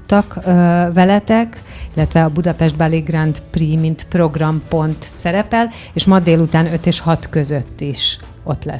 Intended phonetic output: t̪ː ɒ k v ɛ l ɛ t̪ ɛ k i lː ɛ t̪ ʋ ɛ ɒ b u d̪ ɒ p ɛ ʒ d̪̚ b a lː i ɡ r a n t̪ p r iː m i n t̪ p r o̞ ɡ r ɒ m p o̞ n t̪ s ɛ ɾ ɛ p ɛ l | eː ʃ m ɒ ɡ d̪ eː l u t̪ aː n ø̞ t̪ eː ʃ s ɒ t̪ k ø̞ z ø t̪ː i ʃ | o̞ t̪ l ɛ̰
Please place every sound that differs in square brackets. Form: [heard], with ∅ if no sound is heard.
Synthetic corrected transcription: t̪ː ɒ k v ɛ l ɛ t̪ ɛ k i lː ɛ t̪ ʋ ɛ ɒ b u d̪ ɒ p ɛ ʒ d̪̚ b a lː i ɡ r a n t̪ p r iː m i n t̪ p r o̞ ɡ r ɒ m p o̞ n t̪ s ɛ ɾ ɛ p ɛ l | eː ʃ m ɒ [∅] d̪ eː l u t̪ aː n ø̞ t̪ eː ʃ [h] ɒ t̪ k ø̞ z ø t̪ː i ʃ | o̞ t̪ l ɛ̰